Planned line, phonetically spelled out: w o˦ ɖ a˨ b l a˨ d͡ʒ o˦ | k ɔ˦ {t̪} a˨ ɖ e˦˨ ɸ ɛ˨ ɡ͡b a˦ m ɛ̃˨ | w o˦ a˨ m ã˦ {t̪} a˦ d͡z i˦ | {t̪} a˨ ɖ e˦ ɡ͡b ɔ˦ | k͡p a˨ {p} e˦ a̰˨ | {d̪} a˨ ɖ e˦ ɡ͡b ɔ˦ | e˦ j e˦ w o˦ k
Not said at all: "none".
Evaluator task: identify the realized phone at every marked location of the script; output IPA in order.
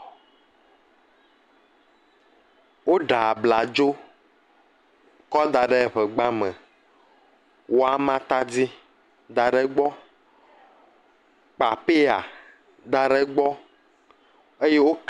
d̪, t̪, d̪, p, d̪

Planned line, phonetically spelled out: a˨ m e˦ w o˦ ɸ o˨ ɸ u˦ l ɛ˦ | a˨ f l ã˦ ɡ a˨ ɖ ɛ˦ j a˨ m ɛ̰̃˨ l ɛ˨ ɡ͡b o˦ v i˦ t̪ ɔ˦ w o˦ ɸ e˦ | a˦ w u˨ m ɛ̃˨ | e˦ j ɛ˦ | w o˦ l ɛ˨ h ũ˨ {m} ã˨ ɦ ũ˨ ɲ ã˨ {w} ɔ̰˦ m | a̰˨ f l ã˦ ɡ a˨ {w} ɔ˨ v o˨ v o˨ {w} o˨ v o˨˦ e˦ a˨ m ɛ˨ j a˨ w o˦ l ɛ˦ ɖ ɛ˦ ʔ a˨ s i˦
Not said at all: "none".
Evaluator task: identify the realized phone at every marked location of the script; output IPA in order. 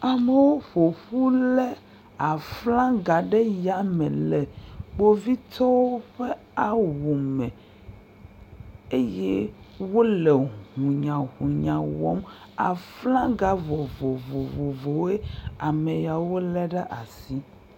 ɲ, w, v, v

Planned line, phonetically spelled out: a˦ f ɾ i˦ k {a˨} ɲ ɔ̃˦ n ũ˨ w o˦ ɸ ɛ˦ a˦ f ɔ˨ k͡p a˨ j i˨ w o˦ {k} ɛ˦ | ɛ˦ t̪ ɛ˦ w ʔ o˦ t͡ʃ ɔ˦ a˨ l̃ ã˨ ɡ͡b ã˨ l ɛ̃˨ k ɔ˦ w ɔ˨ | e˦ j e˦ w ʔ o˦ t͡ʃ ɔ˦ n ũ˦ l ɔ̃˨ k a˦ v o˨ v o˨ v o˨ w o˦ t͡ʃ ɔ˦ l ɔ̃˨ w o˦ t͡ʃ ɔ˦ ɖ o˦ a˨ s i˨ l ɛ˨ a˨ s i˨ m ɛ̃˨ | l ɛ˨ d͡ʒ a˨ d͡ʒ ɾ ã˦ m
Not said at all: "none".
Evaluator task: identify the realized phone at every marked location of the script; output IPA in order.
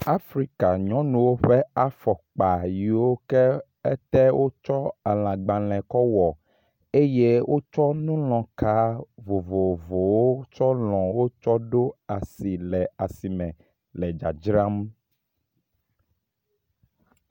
a˨, k

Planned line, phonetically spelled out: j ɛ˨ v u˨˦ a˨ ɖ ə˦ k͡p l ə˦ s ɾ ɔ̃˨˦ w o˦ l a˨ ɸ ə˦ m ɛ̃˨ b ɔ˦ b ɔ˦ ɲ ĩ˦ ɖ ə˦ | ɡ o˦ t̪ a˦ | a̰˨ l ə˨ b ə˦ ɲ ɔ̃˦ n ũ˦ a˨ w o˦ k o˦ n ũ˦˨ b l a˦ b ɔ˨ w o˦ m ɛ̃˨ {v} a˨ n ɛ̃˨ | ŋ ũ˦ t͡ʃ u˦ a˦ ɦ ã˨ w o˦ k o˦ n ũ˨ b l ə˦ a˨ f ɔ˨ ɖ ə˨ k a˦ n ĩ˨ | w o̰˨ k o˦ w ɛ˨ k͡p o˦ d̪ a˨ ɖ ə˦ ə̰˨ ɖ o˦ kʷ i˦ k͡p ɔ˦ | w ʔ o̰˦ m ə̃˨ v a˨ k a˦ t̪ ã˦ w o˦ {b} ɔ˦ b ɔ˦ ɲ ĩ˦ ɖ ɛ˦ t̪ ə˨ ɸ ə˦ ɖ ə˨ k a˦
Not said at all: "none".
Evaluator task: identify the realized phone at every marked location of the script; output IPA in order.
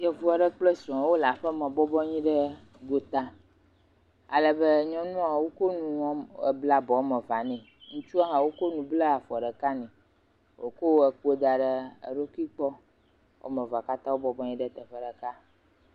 v, b

